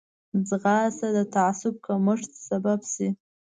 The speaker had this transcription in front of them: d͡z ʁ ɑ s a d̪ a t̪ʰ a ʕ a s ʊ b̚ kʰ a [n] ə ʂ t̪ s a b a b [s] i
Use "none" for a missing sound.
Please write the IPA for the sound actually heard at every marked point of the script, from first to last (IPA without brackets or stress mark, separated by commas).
m, s